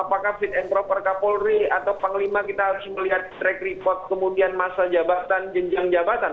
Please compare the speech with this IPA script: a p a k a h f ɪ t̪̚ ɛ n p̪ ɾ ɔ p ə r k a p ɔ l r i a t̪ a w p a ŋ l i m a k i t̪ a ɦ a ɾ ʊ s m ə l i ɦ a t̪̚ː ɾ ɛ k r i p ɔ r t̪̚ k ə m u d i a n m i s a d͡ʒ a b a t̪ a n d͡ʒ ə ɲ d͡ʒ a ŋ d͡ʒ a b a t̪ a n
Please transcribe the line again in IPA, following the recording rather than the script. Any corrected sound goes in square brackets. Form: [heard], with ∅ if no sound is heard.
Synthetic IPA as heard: a p a k a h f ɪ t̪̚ ɛ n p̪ ɾ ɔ p ə r k a p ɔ l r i a t̪ a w p a ŋ l i m a k i t̪ a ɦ a ɾ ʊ s m ə l i ɦ a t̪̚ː ɾ ɛ k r i p ɔ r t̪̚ k ə m u d i a n m [a] s a d͡ʒ a b a t̪ a n d͡ʒ ə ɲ d͡ʒ a ŋ d͡ʒ a b a t̪ a n